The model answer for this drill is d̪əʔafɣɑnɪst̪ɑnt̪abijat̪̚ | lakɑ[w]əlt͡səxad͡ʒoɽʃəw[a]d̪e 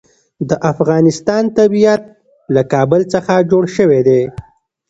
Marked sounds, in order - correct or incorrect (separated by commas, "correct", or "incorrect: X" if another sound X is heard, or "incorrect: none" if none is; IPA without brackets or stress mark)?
incorrect: b, incorrect: e